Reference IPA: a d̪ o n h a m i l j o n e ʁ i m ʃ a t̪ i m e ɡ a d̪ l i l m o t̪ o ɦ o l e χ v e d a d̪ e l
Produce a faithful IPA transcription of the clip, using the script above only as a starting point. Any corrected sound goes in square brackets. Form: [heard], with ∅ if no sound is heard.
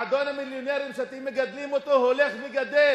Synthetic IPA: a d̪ o n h a m i l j o n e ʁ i m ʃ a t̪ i m e ɡ a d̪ l i [∅] m o t̪ o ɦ o l e χ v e [ɡ] a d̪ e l